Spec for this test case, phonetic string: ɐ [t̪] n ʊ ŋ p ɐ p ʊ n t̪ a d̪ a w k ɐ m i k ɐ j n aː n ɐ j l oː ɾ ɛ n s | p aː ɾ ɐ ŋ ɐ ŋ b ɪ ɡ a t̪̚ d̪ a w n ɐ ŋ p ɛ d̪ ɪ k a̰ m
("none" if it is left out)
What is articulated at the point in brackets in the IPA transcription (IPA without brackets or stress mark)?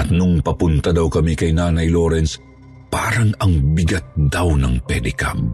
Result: t̪